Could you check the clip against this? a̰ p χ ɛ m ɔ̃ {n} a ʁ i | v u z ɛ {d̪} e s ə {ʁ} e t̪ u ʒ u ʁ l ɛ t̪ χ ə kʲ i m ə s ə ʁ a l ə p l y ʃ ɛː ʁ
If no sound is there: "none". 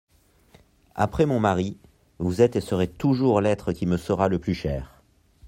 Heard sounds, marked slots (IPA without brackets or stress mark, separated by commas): m, t̪, ʁ